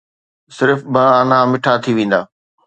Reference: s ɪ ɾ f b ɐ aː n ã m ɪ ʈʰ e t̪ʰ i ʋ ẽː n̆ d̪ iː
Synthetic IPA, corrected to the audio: s ɪ ɾ f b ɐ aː n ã m ɪ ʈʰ a t̪ʰ i ʋ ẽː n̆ d̪ aː